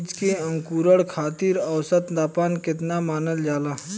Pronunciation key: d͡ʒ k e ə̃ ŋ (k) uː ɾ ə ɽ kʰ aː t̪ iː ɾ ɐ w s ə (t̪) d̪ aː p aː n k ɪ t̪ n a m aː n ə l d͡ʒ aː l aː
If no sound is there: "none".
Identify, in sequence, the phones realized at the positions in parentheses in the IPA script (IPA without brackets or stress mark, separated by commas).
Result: k, t̪